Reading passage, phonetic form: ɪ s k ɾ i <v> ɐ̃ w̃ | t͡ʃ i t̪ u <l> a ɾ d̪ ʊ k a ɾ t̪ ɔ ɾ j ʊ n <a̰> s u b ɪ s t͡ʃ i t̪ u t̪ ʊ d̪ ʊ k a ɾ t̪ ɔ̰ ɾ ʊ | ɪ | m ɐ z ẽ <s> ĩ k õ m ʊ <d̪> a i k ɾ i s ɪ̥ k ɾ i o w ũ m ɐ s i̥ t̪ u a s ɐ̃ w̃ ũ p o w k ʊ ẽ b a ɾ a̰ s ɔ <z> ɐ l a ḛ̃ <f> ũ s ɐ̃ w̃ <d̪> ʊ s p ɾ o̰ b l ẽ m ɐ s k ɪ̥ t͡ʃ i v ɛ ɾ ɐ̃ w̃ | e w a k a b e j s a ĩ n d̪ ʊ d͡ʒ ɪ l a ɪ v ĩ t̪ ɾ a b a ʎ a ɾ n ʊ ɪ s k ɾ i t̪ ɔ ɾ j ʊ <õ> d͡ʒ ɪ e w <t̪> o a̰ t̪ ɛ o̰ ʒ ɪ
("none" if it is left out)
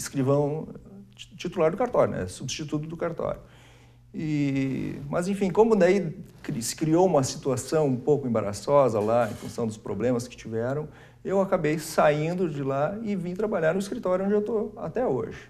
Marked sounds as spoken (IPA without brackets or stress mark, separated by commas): v, l, ɛ̰, f, d̪, z, f, d̪, õ, t̪